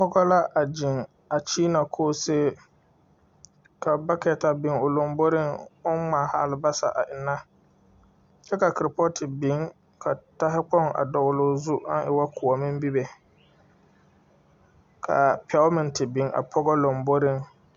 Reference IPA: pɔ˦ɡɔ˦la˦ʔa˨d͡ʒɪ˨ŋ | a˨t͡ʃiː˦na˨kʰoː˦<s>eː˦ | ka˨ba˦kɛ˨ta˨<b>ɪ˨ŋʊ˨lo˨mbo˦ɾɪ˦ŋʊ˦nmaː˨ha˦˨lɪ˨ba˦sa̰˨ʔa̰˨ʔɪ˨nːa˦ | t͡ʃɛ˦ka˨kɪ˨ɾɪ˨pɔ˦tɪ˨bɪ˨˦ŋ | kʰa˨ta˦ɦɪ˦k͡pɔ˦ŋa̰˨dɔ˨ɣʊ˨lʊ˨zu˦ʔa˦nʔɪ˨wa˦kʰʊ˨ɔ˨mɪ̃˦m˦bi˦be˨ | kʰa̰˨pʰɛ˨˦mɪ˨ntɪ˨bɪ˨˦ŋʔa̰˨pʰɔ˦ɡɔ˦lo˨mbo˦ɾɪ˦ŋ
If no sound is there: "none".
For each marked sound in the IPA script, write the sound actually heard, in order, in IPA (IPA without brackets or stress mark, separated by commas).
s, b